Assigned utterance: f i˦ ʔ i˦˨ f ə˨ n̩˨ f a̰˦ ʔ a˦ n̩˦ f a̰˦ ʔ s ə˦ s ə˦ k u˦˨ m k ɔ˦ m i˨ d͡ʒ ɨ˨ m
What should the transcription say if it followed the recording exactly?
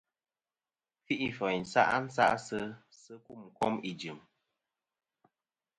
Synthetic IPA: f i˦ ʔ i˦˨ f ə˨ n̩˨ s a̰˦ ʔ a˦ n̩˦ s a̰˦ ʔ s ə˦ s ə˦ k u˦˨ m k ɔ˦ m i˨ d͡ʒ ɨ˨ m